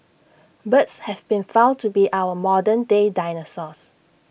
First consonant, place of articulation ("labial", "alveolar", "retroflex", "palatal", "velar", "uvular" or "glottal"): labial